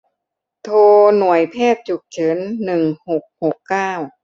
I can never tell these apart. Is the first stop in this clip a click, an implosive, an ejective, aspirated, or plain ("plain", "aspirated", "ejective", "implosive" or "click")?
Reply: aspirated